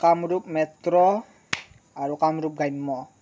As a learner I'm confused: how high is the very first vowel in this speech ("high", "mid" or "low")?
low